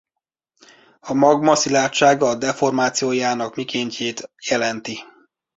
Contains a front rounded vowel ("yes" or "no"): no